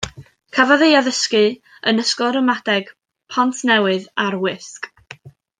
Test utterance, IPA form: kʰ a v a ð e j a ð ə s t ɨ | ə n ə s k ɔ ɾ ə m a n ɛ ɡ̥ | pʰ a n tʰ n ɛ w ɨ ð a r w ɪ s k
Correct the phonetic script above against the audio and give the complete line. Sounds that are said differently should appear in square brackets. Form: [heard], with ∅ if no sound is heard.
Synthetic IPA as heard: kʰ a v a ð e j a ð ə s [k] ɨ | ə n ə s k ɔ ɾ ə m a [d] ɛ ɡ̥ | pʰ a n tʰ n ɛ w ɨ ð a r w ɪ s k

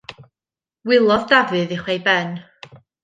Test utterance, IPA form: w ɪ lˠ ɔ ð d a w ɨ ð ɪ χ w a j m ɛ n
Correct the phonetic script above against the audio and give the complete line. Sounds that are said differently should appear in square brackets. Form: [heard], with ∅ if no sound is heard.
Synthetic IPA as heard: w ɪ lˠ ɔ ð d a [v] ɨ ð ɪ χ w [e] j [b] ɛ n

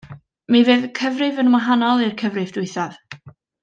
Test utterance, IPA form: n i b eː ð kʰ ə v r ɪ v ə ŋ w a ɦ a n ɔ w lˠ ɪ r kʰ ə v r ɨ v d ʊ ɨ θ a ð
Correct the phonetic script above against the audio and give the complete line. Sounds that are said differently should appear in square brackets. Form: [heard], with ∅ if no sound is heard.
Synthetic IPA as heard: [m] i [v] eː ð kʰ ə v r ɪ v ə [n] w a ɦ a n ɔ [∅] lˠ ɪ r kʰ ə v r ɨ v d ʊ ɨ θ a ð

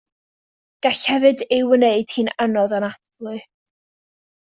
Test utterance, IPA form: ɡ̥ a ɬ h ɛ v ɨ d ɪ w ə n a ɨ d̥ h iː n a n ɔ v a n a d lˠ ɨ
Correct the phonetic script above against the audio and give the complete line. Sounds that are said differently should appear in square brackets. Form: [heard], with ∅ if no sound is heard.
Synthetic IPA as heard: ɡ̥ a ɬ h ɛ v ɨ d ɪ w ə n [e] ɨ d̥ h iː n a n ɔ [ð] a n a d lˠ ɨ

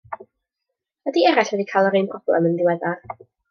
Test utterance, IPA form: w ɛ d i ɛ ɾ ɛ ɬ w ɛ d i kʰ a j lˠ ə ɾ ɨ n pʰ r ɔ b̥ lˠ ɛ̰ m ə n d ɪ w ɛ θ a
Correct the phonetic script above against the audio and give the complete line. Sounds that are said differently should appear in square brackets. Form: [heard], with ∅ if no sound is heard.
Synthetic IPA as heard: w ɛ d i ɛ ɾ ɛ ɬ w ɛ d i kʰ a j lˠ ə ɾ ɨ n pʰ r ɔ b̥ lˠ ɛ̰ m ə n d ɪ w ɛ [ð] a

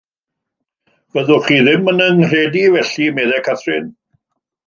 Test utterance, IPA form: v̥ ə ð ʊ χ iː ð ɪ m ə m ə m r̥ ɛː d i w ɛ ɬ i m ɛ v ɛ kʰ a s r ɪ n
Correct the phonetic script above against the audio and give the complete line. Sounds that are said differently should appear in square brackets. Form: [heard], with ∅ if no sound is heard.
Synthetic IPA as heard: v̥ ə ð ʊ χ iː ð ɪ m ə [n] ə [n] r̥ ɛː d i [v] ɛ ɬ i m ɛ [ð] ɛ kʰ a [θ] r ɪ n

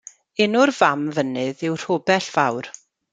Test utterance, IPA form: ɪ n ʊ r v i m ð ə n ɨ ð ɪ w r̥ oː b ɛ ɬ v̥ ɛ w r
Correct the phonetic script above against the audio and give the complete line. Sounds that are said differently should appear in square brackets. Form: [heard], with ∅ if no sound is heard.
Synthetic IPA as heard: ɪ n ʊ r v [a] m [v] ə n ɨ ð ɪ w r̥ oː b ɛ ɬ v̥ [a] w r

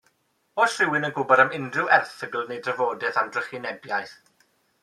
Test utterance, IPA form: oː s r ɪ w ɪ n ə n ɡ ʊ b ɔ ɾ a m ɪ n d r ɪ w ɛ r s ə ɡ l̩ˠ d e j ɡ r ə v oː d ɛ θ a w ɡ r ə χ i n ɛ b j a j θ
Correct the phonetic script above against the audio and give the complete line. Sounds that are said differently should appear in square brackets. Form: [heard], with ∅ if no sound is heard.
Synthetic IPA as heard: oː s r ɪ w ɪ n ə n ɡ ʊ b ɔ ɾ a m ɪ n d r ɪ w ɛ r [θ] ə ɡ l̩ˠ [n] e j [d] r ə v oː d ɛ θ a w [d] r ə χ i n ɛ b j a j θ

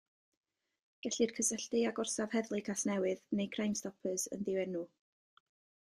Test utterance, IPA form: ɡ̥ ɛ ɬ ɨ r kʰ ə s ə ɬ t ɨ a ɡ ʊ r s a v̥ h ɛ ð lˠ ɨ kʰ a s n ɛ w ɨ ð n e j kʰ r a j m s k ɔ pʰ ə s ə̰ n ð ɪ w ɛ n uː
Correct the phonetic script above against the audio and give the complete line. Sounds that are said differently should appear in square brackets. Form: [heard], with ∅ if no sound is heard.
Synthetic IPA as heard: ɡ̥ ɛ ɬ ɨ r kʰ ə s ə ɬ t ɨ a ɡ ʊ r s a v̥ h ɛ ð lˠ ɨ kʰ a s n ɛ w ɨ ð n e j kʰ r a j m s [t] ɔ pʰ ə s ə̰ n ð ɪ w ɛ n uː

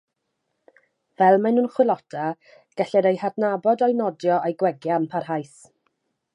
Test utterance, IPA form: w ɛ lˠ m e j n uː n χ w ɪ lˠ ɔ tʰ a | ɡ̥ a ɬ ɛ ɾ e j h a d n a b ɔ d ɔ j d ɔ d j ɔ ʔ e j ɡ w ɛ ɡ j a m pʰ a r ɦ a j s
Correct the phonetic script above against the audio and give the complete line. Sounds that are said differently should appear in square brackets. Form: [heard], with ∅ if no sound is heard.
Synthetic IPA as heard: [v] ɛ lˠ m [a] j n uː n χ w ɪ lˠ ɔ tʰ a | ɡ̥ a ɬ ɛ ɾ e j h a d n a b ɔ d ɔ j [n] ɔ d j ɔ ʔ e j ɡ w ɛ ɡ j a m pʰ a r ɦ a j s

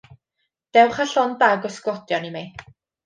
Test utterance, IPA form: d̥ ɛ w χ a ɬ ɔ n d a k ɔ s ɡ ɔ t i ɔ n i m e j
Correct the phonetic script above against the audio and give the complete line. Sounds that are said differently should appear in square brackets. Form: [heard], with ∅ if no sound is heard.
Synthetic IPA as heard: d̥ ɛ w χ a ɬ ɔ n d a [ɡ] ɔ s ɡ ɔ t [j] ɔ n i m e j

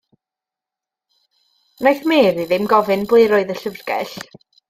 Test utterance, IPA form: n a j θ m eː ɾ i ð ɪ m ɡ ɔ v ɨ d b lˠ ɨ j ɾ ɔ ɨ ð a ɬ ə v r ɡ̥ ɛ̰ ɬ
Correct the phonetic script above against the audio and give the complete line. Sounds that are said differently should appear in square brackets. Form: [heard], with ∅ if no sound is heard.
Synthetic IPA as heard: n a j θ m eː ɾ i ð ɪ m ɡ ɔ v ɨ [n] b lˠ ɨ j ɾ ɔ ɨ ð [ə] ɬ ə v r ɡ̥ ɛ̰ ɬ

